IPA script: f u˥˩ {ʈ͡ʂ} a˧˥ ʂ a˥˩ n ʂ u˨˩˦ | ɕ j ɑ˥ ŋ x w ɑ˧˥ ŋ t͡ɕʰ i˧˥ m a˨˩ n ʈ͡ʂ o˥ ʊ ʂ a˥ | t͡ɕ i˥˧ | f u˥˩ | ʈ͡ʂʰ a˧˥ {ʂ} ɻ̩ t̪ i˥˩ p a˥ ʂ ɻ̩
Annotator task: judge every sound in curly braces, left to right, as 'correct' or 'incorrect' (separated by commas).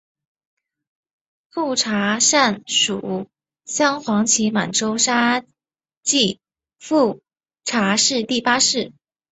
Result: incorrect, correct